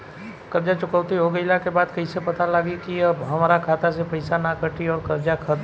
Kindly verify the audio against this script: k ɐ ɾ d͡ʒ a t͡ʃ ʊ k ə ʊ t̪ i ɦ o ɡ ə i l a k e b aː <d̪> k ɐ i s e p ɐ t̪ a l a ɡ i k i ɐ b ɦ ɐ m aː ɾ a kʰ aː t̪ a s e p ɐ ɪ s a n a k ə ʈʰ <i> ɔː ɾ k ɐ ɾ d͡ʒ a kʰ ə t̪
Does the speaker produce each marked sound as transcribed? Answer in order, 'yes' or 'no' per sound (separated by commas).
yes, yes